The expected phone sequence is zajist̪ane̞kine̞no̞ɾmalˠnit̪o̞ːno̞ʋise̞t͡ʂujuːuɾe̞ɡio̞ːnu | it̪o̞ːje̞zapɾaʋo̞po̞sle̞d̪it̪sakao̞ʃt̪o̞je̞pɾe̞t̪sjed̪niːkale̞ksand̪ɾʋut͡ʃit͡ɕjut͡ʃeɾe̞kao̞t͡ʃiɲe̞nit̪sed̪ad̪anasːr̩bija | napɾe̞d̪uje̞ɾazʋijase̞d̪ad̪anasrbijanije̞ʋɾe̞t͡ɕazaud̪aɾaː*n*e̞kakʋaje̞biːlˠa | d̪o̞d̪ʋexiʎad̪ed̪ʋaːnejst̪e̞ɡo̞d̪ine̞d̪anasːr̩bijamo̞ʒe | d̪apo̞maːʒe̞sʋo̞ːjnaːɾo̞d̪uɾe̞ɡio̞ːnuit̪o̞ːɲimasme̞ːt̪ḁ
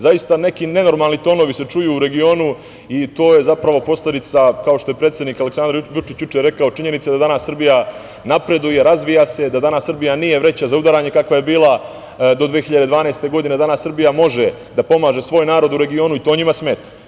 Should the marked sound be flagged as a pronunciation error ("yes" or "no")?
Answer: yes